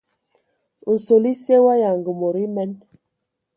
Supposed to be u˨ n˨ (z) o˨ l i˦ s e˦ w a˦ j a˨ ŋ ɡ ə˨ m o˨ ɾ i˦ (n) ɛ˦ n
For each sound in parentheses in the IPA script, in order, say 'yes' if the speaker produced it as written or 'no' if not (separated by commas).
no, no